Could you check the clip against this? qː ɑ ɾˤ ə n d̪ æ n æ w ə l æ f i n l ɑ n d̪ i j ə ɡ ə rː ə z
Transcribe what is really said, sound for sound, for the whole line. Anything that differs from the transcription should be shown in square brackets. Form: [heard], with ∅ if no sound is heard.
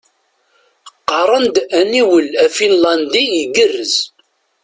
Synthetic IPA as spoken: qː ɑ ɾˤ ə n d̪ æ n [i] w ə l æ f i n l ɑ n d̪ i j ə ɡ ə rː ə z